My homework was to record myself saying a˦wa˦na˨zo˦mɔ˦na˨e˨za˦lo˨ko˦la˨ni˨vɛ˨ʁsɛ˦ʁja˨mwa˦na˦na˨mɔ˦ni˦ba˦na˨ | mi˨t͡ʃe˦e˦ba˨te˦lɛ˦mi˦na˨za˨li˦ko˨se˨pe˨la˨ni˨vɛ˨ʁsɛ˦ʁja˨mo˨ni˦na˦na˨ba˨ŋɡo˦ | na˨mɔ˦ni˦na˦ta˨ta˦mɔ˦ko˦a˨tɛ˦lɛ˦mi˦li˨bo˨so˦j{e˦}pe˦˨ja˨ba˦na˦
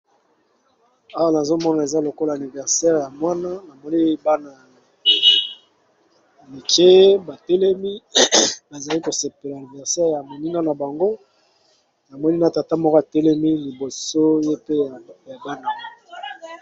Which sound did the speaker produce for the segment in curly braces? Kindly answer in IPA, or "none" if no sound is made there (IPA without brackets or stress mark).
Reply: e˦